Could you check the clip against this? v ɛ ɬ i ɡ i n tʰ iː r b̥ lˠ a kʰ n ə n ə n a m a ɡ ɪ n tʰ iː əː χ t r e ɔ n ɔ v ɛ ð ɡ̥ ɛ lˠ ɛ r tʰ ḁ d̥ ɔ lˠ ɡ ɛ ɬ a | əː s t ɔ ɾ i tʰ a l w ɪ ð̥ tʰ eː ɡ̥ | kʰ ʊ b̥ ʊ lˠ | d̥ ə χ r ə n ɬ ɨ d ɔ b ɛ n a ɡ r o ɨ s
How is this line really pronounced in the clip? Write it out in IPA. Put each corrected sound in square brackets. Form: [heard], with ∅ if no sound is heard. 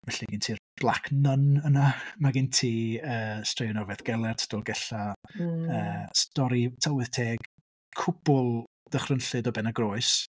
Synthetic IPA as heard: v ɛ ɬ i ɡ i n tʰ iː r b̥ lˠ a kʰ n ə n ə n a m a ɡ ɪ n tʰ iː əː [s] t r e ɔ n ɔ v ɛ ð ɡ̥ ɛ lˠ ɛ r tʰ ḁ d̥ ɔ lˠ ɡ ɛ ɬ a | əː s t ɔ ɾ i tʰ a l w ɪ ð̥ tʰ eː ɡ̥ | kʰ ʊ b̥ ʊ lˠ | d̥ ə χ r ə n ɬ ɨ d ɔ b ɛ n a ɡ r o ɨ s

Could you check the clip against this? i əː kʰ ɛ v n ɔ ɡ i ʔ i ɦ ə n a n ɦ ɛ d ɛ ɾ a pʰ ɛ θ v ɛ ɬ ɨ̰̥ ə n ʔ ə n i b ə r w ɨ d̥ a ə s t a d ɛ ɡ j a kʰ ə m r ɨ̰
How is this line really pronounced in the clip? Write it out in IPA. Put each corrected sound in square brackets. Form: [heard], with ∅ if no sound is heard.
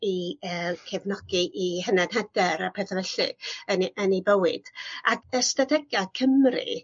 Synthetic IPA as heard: i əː kʰ ɛ v n ɔ ɡ i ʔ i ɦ ə n a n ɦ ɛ d ɛ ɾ a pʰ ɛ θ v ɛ ɬ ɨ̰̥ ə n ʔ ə n i b ə [∅] w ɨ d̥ a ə s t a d ɛ ɡ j a kʰ ə m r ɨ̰

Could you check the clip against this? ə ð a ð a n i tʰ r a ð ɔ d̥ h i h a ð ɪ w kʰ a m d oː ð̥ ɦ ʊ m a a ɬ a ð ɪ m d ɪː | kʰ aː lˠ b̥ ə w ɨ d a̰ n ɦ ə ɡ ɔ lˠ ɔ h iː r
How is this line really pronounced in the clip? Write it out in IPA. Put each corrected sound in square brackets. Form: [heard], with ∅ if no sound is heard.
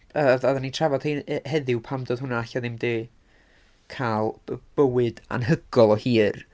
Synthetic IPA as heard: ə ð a ð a n i tʰ r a [v] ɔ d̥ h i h [ɛ] ð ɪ w [pʰ] a m d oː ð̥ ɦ ʊ [n] a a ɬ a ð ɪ m d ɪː | kʰ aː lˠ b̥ ə w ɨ d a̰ n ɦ ə ɡ ɔ lˠ ɔ h iː r

